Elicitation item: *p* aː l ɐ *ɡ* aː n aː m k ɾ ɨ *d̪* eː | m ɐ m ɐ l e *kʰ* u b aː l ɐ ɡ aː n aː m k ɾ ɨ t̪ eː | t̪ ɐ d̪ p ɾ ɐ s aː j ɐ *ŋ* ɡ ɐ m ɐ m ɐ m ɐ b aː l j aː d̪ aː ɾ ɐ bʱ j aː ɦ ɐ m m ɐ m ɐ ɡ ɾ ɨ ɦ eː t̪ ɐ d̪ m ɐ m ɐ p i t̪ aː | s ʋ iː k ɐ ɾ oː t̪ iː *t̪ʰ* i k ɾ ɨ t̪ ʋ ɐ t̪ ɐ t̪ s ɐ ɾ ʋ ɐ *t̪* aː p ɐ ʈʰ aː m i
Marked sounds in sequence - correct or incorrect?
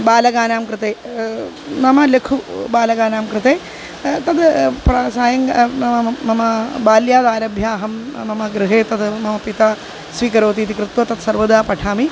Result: incorrect, correct, incorrect, correct, correct, incorrect, incorrect

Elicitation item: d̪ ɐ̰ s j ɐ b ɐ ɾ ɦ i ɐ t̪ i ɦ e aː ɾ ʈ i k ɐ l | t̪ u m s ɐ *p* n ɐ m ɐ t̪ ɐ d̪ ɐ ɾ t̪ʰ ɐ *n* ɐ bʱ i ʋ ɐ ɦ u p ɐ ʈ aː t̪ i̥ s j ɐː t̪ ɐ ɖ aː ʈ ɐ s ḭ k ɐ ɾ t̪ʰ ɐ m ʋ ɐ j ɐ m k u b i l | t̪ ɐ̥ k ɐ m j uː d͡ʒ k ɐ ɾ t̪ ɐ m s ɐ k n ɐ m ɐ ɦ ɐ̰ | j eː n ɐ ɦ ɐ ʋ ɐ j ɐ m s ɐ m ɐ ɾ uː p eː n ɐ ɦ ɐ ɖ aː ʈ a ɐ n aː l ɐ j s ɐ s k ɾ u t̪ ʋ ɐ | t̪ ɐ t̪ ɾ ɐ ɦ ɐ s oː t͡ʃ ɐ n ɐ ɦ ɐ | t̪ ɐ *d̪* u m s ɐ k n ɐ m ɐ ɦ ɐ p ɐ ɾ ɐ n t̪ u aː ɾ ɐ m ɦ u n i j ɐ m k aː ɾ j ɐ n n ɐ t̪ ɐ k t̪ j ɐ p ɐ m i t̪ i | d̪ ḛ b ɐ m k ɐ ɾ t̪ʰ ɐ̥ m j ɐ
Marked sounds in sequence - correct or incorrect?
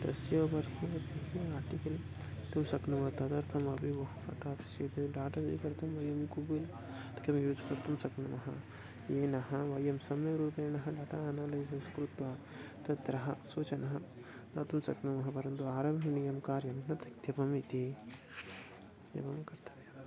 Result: incorrect, incorrect, incorrect

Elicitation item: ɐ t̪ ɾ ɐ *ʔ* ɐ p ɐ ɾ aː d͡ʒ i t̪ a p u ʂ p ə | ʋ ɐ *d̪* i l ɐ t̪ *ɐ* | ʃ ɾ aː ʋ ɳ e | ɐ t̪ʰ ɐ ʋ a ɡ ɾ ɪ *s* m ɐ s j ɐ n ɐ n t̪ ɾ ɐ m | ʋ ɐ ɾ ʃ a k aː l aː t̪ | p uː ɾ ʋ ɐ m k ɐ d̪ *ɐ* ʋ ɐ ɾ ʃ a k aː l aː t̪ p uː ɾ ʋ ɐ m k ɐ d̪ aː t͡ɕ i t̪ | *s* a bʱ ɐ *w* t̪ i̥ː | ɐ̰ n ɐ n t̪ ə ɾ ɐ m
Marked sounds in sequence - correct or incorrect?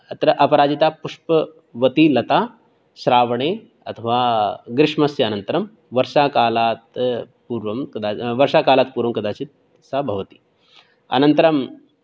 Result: correct, incorrect, incorrect, incorrect, incorrect, correct, incorrect

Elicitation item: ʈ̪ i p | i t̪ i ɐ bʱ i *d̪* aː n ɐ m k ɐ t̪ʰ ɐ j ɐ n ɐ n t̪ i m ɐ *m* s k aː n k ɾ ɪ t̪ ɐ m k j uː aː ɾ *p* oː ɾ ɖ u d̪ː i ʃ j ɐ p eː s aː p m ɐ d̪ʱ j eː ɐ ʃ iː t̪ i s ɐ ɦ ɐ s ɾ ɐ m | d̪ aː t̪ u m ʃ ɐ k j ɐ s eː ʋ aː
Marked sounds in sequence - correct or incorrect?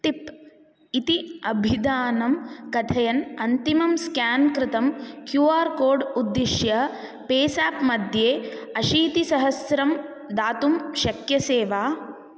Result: correct, correct, incorrect

